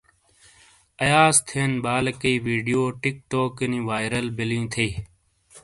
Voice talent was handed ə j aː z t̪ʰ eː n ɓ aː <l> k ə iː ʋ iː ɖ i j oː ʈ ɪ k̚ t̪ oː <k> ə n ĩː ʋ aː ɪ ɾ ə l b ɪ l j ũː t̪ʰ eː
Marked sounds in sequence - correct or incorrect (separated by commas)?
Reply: correct, correct